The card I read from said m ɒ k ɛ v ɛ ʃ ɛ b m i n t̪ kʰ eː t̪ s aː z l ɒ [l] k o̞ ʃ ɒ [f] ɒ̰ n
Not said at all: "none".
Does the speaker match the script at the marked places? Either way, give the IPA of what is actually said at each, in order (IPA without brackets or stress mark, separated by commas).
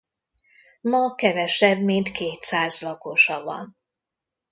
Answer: none, v